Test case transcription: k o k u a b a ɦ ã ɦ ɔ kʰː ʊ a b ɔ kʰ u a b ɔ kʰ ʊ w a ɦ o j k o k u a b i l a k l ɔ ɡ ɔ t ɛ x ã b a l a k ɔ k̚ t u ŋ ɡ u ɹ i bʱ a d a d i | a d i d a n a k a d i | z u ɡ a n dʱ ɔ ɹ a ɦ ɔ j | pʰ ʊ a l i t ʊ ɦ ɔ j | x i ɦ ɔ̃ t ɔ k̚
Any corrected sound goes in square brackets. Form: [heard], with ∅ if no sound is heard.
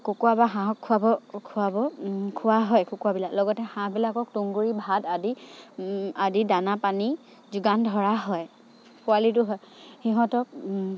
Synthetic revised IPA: k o k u a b a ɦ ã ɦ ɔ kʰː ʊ a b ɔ kʰ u a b ɔ kʰ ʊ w a ɦ [ɔ] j k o k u a b i l a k l ɔ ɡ ɔ t ɛ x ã b [i] l a k ɔ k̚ t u ŋ ɡ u ɹ i bʱ a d a d i | a d i d a n a [p] a [n] i | z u ɡ a n dʱ ɔ ɹ a ɦ ɔ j | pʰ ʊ a l i t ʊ ɦ ɔ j | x i ɦ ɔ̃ t ɔ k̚